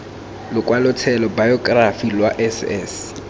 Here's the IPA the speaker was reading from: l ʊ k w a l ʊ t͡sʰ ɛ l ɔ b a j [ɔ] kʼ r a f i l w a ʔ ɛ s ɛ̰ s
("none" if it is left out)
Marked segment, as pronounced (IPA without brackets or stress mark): ɔ